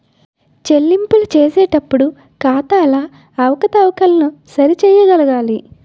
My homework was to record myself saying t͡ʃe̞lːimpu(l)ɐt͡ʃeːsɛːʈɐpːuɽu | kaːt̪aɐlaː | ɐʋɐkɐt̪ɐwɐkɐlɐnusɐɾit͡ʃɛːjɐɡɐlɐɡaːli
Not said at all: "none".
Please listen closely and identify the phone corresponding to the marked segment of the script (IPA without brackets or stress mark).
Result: l